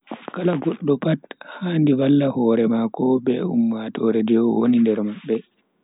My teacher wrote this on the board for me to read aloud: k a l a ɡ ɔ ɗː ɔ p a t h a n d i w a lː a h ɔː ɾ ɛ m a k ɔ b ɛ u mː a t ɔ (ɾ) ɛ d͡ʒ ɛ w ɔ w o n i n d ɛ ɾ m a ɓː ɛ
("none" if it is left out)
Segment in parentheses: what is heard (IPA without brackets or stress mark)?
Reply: ɾ